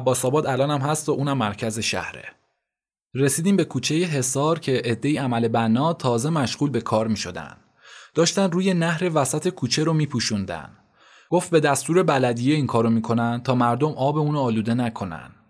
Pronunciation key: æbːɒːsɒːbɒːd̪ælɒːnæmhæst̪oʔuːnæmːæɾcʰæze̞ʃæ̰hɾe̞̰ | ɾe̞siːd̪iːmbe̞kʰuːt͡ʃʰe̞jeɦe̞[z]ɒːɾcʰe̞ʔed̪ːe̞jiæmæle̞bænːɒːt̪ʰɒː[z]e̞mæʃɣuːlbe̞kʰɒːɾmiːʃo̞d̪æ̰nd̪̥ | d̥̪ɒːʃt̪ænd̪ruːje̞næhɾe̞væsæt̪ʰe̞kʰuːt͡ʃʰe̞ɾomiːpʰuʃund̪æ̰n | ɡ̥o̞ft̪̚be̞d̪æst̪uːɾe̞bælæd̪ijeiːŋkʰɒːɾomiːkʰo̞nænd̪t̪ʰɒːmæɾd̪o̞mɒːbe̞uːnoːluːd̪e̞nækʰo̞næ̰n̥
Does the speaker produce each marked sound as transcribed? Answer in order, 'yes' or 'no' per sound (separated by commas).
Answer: no, yes